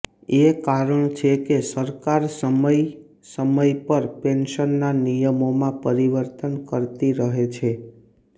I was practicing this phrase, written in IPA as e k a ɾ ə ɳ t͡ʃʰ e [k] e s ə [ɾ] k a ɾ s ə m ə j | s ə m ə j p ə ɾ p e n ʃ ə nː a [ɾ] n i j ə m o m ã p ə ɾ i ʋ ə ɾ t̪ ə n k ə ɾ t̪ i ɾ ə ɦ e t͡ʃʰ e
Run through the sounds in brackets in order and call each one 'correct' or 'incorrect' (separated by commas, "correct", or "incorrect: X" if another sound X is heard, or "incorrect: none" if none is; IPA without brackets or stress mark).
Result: correct, correct, incorrect: none